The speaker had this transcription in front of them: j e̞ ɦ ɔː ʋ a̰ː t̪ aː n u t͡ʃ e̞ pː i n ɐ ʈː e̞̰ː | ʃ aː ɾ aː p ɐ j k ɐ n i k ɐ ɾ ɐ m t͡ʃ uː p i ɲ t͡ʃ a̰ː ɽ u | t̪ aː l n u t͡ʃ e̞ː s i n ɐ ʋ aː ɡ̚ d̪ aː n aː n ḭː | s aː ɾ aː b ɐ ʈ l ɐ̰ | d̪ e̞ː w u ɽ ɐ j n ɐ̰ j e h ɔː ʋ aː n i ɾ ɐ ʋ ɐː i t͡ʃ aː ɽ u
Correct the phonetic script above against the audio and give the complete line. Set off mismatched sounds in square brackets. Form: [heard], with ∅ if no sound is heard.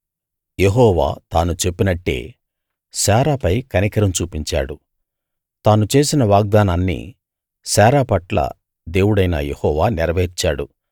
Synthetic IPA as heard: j e̞ ɦ ɔː ʋ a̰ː t̪ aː n u t͡ʃ e̞ pː i n ɐ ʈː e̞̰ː | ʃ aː ɾ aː p ɐ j k ɐ n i k ɐ ɾ ɐ m t͡ʃ uː p i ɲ t͡ʃ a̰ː ɽ u | t̪ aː [∅] n u t͡ʃ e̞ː s i n ɐ ʋ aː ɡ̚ d̪ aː n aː [nː] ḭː | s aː ɾ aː [p] ɐ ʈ l ɐ̰ | d̪ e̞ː w u ɽ ɐ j n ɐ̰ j e h ɔː ʋ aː n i ɾ ɐ ʋ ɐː i t͡ʃ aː ɽ u